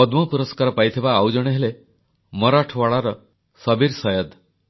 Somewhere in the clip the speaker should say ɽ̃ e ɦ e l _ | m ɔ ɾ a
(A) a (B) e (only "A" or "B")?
B